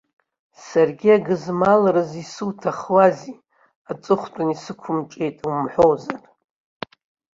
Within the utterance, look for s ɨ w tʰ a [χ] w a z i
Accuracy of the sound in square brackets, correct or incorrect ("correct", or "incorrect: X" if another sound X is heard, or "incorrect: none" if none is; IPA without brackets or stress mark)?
correct